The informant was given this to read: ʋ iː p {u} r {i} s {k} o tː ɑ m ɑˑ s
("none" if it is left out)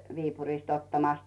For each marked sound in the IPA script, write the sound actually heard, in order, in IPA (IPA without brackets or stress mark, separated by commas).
u, i, t